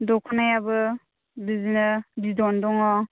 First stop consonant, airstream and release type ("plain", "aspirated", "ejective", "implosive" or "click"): plain